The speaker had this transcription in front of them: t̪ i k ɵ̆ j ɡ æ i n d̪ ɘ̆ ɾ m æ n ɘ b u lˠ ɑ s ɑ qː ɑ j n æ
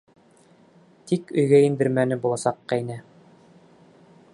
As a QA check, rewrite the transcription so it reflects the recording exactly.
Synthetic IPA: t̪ i k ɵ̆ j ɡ æ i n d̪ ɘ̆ ɾ m æ n ɘ b u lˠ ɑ s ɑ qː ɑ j n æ